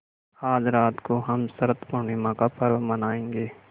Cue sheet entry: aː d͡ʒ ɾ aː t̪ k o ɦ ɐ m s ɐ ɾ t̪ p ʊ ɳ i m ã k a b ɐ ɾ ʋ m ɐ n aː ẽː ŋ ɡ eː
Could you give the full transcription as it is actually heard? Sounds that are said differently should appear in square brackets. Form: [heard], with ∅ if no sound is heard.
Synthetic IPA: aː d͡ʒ ɾ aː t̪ k o ɦ ɐ m s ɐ ɾ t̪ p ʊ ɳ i m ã k a [p] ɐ ɾ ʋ m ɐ n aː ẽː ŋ ɡ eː

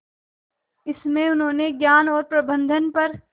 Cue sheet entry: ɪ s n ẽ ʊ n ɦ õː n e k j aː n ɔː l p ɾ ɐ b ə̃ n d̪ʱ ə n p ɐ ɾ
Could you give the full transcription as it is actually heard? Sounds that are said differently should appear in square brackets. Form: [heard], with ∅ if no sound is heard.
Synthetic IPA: ɪ s [m] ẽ ʊ n ɦ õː n e [ɡ] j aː n ɔː [ɾ] p ɾ ɐ b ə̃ n d̪ʱ ə n p ɐ ɾ

